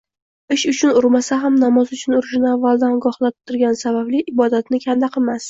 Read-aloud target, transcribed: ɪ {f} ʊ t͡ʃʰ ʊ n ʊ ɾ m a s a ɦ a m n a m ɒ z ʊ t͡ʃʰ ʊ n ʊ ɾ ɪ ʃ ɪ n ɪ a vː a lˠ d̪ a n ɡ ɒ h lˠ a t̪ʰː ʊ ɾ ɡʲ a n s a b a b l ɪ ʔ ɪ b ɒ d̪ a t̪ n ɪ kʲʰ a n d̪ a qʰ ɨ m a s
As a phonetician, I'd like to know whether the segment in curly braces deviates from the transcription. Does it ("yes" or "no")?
yes